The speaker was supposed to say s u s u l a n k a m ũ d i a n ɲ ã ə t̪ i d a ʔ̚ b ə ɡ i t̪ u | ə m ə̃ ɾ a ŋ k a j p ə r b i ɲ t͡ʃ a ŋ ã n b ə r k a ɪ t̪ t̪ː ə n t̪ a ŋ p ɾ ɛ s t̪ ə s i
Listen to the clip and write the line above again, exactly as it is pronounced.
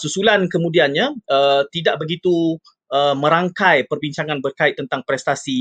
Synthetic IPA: s u s u l a n k ə m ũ d i a n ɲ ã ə t̪ i d a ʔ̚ b ə ɡ i t̪ u | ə m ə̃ ɾ a ŋ k a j p ə r b i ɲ t͡ʃ a ŋ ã n b ə r k a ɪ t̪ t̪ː ə n t̪ a ŋ p ɾ ɛ s t̪ a s i